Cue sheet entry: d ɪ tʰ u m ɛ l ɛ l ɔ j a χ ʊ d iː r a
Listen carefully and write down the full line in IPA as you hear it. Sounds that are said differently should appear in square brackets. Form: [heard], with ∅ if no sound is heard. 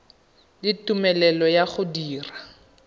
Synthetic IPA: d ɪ [t] u m ɛ l ɛ l ɔ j a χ ʊ d iː r a